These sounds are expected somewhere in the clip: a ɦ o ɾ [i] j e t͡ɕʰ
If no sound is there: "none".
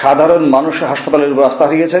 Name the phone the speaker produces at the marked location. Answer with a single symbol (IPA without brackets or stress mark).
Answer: i